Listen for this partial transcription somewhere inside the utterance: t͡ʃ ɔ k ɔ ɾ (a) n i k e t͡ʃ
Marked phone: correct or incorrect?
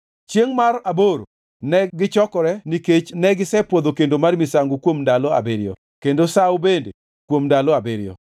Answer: incorrect